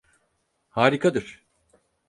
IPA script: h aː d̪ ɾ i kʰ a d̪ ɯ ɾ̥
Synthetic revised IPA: h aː ɾ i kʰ a d̪ ɯ ɾ̥